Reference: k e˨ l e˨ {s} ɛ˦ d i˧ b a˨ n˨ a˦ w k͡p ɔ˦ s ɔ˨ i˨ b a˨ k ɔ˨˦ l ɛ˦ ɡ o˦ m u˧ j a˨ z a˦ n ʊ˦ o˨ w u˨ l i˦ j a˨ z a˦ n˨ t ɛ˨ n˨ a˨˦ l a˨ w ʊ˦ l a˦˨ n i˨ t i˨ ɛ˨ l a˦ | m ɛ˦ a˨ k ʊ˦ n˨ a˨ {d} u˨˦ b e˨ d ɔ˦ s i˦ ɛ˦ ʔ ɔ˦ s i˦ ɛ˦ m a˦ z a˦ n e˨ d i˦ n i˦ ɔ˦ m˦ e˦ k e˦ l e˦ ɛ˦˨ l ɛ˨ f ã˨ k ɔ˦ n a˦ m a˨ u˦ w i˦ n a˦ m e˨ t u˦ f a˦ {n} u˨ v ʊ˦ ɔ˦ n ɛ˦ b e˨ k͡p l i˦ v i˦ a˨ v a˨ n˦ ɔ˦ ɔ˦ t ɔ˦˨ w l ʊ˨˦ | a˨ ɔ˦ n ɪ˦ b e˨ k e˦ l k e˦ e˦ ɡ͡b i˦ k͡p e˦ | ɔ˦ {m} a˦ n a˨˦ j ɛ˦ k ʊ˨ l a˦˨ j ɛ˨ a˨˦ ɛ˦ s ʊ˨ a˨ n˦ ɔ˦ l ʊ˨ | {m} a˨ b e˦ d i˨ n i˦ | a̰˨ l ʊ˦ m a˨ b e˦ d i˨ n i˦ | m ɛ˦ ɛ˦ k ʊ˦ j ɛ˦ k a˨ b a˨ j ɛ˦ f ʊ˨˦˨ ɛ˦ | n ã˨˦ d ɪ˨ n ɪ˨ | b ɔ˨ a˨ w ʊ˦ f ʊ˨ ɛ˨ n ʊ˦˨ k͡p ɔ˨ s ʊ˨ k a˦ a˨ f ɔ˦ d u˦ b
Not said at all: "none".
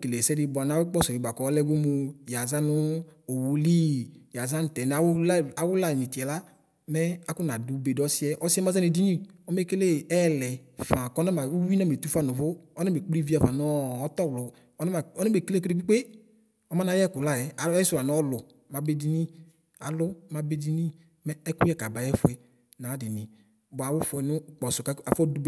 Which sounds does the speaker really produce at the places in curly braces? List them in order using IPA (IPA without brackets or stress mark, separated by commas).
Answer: s, d, n, m, m